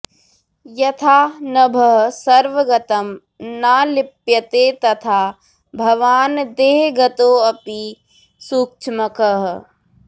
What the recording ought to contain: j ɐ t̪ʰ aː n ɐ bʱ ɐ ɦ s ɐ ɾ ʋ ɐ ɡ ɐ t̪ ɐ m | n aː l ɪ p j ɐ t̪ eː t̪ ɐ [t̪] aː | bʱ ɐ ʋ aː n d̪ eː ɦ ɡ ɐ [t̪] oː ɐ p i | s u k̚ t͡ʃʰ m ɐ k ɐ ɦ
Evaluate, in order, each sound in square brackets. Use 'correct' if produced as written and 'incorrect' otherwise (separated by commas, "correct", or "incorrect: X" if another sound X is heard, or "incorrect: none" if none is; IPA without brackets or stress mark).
incorrect: t̪ʰ, correct